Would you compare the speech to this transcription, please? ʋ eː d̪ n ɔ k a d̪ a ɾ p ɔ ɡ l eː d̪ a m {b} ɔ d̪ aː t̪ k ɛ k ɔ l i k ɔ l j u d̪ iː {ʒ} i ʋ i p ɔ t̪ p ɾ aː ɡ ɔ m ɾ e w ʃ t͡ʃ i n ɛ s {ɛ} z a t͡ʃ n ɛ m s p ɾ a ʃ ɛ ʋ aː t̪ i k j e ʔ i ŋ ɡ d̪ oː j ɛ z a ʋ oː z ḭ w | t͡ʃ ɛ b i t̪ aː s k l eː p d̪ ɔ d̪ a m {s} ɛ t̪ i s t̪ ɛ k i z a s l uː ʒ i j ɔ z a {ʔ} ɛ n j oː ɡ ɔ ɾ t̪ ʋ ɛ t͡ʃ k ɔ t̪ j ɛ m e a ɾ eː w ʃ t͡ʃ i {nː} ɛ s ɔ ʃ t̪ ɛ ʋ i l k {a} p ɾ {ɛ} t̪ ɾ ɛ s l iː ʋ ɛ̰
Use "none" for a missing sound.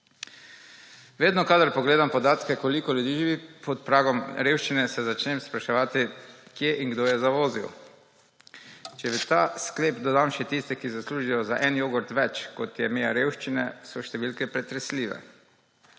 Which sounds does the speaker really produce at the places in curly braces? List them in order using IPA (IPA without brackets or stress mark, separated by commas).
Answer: p, ʒ, ɛ, ʃ, ʔ, n, ɛ, ɛ